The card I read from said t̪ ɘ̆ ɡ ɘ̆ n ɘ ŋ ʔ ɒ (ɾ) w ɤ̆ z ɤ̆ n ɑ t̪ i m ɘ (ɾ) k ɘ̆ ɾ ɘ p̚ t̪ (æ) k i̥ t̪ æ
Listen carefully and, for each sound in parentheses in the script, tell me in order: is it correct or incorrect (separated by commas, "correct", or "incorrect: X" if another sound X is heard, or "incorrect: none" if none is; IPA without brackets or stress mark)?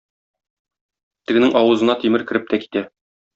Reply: incorrect: none, correct, correct